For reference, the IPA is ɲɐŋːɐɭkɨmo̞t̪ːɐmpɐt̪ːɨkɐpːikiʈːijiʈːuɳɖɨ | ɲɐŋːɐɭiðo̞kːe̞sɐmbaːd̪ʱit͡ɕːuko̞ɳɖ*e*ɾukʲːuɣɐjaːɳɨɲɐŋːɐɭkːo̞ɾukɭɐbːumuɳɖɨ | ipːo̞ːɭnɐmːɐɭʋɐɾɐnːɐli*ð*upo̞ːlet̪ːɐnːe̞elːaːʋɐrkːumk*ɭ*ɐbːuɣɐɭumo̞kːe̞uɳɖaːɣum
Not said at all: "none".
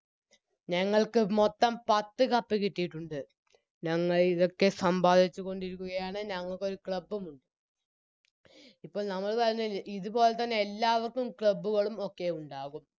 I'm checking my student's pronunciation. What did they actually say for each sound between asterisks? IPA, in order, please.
i, ð, ɭ

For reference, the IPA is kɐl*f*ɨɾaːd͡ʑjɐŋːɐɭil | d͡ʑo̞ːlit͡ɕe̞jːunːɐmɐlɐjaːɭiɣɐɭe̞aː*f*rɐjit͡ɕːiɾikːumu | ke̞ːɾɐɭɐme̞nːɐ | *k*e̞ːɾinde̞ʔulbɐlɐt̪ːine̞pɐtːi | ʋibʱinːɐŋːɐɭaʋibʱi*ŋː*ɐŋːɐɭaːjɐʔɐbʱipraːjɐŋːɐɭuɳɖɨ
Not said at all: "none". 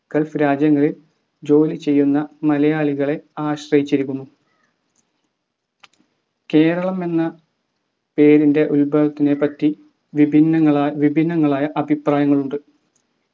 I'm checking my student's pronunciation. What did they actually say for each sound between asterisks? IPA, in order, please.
f, ɕ, p, nː

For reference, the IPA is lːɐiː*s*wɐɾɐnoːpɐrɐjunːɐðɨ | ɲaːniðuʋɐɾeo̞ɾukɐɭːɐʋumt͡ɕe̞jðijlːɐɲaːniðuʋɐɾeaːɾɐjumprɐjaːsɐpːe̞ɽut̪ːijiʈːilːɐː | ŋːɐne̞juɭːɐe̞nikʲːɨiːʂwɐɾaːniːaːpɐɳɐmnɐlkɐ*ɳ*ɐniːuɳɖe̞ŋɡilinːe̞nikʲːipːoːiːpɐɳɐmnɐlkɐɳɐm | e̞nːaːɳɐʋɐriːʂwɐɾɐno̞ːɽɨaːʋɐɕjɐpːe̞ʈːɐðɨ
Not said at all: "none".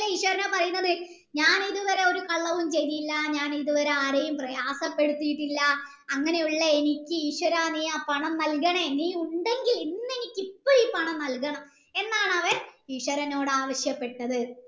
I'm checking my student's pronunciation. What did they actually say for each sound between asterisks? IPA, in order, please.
ʂ, ɳ

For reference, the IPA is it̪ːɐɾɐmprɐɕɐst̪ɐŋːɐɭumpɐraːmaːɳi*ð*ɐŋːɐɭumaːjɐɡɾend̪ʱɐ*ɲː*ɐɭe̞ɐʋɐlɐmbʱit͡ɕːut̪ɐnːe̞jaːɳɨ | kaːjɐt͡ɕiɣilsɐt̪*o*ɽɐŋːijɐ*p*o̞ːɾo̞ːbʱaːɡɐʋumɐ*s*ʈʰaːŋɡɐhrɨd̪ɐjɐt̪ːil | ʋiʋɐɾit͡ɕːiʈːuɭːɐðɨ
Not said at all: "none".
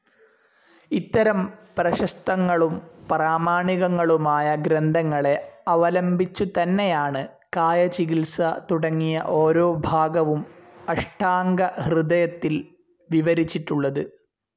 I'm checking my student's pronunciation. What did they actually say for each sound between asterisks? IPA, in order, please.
ɣ, ŋː, u, ʔ, ʂ

